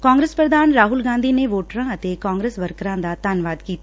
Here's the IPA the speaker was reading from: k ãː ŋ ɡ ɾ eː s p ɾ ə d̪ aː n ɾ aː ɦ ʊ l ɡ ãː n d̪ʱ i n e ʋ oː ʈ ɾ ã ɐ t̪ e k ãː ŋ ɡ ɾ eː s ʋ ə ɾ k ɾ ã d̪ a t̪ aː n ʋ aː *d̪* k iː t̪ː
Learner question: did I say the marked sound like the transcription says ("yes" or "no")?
yes